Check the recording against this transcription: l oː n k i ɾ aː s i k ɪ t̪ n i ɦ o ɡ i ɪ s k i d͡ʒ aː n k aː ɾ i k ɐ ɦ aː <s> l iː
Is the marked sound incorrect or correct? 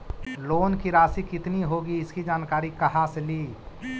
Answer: correct